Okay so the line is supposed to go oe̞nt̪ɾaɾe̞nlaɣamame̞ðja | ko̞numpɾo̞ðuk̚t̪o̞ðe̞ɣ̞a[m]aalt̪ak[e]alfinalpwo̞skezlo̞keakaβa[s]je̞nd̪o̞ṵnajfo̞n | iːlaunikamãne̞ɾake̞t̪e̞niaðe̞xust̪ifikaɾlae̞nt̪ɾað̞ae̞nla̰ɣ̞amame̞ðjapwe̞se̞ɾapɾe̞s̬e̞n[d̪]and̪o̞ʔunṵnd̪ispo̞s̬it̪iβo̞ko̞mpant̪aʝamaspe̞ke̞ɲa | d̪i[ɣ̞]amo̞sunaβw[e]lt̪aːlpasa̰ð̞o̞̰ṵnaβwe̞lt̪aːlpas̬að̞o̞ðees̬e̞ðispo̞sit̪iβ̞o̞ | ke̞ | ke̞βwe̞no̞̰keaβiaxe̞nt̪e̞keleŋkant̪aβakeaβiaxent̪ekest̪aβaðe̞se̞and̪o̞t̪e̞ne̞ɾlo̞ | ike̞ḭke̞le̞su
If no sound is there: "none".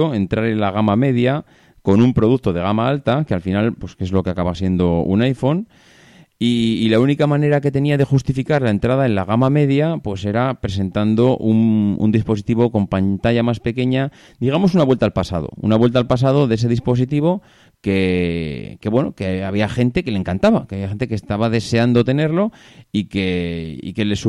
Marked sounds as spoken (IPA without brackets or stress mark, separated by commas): m, e, s, t̪, ɣ̞, e